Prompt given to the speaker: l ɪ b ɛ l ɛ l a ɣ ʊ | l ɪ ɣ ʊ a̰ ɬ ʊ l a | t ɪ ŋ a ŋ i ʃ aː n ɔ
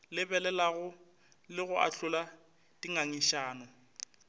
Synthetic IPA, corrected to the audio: l ɪ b ɛ l ɛ l a ɣ ʊ | l ɪ ɣ ʊ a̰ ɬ ʊ l a | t i ŋ a ŋ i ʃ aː n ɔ